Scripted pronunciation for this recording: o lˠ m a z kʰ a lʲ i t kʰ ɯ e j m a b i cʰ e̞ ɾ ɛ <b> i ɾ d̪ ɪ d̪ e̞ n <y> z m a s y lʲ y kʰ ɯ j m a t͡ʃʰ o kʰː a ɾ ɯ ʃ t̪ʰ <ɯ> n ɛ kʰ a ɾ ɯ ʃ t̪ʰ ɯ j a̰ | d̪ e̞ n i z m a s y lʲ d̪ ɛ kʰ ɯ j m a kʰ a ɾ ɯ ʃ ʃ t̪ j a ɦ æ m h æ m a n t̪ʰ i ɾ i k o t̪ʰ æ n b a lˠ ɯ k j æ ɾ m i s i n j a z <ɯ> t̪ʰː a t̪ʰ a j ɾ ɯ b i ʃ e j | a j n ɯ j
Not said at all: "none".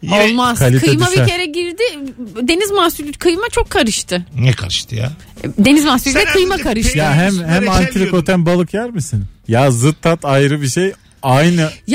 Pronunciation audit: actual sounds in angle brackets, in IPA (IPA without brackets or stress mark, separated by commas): ɟ, i, ɯ, ɯ